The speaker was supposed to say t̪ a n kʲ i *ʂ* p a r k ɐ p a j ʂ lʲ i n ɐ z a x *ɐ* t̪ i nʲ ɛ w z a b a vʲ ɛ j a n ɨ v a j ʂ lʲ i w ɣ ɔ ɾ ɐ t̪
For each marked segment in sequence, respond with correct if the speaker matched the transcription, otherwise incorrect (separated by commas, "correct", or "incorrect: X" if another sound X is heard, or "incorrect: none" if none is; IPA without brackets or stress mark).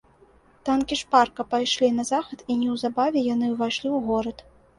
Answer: correct, correct